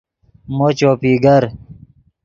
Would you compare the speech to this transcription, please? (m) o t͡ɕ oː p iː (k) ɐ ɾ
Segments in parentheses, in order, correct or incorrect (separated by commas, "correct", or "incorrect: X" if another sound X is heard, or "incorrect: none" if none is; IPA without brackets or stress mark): correct, incorrect: ɡ